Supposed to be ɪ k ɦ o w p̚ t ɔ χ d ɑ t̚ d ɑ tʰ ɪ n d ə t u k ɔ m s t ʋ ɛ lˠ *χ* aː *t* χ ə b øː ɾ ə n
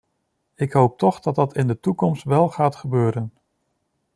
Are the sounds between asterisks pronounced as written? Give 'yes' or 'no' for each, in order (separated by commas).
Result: yes, yes